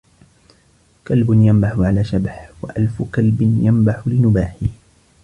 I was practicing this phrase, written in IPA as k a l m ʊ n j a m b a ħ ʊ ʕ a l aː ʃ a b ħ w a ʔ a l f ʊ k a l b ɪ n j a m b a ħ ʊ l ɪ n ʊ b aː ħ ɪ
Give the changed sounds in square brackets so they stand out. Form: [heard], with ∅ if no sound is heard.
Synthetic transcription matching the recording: k a l [b] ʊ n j a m b a ħ ʊ ʕ a l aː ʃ a b ħ w a ʔ a l f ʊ k a l b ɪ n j a m b a ħ ʊ l ɪ n ʊ b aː ħ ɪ

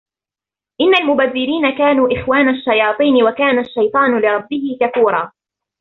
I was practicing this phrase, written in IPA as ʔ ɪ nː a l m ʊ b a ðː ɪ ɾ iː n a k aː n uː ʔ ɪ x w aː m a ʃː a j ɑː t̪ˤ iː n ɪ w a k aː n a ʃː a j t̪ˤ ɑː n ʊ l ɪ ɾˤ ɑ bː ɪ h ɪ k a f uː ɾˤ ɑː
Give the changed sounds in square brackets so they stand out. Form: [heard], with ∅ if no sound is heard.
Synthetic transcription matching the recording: ʔ ɪ nː a l m ʊ b a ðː ɪ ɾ iː n a k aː n uː ʔ ɪ x w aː [n] a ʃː a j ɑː t̪ˤ iː n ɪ w a k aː n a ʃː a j t̪ˤ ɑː n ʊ l ɪ ɾˤ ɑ bː ɪ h ɪ k a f uː ɾˤ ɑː

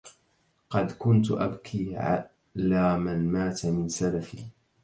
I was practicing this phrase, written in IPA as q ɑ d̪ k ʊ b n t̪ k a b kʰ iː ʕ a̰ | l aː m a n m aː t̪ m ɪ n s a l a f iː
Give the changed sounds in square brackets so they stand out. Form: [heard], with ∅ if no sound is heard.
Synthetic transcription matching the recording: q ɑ d̪ k ʊ [∅] n t̪ [ʔ] a b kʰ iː ʕ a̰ | l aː m a n m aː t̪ m ɪ n s a l a f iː

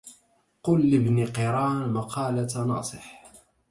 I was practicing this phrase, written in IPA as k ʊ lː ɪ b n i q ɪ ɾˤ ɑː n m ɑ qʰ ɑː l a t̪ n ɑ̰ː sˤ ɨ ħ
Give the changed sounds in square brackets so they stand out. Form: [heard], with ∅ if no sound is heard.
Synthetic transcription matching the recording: [q] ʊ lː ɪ b n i q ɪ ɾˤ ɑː n m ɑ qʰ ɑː l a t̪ n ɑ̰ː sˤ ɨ ħ

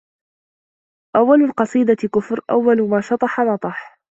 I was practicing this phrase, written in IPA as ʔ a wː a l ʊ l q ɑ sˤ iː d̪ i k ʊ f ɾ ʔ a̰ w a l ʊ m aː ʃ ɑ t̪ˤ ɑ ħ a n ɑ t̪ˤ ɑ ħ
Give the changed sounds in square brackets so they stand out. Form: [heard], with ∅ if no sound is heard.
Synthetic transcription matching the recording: ʔ a wː a l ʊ l q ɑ sˤ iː d̪ [a] k ʊ f ɾ ʔ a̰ [wː] a l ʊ m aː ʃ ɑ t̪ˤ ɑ ħ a n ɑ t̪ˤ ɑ ħ

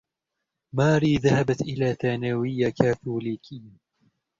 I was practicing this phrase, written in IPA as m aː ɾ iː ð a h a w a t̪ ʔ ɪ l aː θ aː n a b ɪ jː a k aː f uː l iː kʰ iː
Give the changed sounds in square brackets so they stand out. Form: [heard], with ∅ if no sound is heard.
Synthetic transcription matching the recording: m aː ɾ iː ð a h a [b] a t̪ ʔ ɪ l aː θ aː n a [w] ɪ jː a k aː [θ] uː l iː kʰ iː

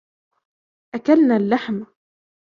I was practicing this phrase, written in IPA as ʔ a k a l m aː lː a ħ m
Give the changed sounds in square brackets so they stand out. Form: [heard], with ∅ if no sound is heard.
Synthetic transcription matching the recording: ʔ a k a l [n] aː lː a ħ m

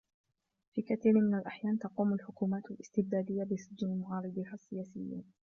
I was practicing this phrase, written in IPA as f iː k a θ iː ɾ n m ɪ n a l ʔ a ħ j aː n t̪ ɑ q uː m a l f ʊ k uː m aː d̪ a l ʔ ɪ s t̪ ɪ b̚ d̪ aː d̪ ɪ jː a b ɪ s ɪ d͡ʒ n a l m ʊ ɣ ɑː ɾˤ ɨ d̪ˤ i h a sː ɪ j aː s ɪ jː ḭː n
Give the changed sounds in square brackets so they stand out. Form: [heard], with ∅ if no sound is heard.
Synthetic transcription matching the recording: f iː k a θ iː ɾ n m ɪ n a l ʔ a ħ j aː n t̪ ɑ q uː m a l [ħ] ʊ k uː m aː [t̪] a l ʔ ɪ s t̪ ɪ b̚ d̪ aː d̪ ɪ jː a b ɪ s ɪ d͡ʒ n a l m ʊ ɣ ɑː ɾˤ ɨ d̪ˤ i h a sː ɪ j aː s ɪ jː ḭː n

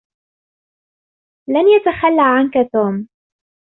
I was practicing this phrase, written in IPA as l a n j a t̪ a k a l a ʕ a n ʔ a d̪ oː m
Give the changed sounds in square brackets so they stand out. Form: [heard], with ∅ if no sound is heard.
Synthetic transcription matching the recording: l a n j a t̪ a [x] a [lː] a ʕ a n [k] a [t̪] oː m

